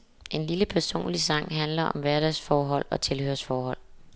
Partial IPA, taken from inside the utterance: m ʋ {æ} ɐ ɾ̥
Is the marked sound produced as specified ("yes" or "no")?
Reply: yes